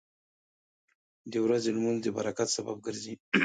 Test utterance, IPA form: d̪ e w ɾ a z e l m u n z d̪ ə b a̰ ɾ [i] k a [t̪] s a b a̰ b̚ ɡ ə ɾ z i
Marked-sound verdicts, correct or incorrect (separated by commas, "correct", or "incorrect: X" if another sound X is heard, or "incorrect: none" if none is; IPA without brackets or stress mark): incorrect: a, correct